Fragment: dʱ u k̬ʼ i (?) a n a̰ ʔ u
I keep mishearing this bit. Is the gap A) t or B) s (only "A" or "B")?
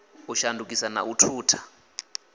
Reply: B